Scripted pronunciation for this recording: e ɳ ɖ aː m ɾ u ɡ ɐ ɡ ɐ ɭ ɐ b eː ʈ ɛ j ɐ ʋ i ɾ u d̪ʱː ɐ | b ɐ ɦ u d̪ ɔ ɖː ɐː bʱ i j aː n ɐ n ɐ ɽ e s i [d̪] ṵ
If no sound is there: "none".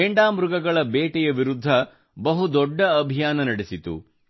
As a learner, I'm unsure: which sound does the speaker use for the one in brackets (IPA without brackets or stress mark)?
t̪